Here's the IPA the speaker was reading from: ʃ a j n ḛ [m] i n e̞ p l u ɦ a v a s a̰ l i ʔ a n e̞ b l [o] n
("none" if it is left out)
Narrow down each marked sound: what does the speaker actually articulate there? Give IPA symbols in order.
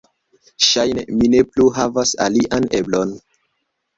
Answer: m, o

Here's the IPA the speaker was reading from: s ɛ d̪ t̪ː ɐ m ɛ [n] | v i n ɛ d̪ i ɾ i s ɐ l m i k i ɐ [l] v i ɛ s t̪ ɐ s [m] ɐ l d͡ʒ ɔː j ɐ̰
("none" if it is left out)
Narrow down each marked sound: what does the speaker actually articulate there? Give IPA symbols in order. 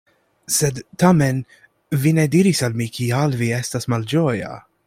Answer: n, l, m

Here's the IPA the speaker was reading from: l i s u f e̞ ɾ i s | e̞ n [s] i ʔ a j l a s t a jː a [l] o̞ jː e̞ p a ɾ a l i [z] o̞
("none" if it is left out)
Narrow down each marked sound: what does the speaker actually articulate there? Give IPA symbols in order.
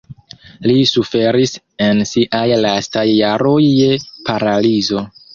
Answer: s, ɾ, z

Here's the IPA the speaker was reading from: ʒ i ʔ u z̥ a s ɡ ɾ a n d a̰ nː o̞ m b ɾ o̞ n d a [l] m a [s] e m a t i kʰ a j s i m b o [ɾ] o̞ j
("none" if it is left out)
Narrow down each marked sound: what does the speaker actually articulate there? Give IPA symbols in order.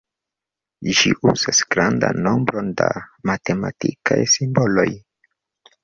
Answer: none, t, l

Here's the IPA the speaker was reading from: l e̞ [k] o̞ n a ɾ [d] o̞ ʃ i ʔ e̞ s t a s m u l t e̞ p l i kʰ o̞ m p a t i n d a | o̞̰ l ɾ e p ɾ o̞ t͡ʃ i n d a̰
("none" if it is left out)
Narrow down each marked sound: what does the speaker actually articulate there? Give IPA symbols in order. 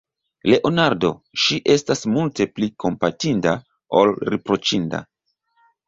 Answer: ʔ, d

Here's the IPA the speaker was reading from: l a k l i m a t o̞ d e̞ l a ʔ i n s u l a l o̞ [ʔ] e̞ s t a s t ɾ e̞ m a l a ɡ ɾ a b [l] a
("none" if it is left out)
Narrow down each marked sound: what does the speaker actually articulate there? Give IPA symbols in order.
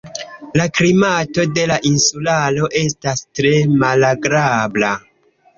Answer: ʔ, l

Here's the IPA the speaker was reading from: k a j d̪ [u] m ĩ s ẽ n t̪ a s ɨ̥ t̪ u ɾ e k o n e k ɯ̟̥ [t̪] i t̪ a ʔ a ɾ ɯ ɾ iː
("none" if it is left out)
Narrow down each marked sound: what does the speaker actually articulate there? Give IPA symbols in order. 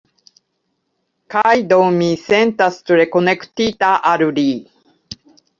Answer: o, t̪

